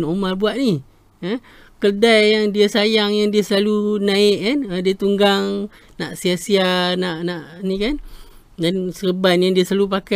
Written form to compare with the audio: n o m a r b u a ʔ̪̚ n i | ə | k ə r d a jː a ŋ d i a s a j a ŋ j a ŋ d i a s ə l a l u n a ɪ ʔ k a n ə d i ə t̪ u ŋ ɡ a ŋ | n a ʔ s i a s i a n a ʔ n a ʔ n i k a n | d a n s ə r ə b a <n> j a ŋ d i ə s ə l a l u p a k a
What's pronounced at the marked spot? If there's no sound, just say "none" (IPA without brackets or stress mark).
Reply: n